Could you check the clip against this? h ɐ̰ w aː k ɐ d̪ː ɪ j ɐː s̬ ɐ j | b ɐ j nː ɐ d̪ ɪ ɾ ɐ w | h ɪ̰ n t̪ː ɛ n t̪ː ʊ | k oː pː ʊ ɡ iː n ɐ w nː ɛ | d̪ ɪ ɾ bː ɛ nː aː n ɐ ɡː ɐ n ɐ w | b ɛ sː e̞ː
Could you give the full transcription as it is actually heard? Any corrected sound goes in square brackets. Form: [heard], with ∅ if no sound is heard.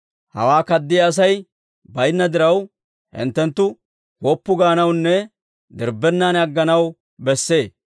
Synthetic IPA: h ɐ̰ w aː k ɐ d̪ː ɪ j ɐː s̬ ɐ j | b ɐ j nː ɐ d̪ ɪ ɾ ɐ w | h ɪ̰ n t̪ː ɛ n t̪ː ʊ | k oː pː ʊ ɡ [aː] n ɐ w nː ɛ | d̪ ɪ ɾ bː ɛ nː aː n ɐ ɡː ɐ n ɐ w | b ɛ sː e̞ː